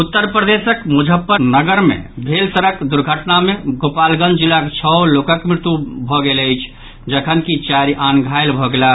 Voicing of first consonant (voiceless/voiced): voiceless